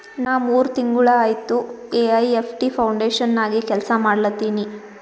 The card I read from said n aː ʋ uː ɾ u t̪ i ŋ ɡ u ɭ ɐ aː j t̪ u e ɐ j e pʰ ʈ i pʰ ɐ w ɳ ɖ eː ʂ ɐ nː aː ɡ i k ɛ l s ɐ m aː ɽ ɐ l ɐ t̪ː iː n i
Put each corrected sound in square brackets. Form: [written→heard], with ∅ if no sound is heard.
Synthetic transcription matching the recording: n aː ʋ uː ɾ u t̪ i ŋ ɡ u ɭ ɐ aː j t̪ u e ɐ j e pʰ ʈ i pʰ ɐ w ɳ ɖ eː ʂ ɐ nː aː ɡ i k ɛ l s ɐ m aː ɽ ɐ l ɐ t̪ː iː n i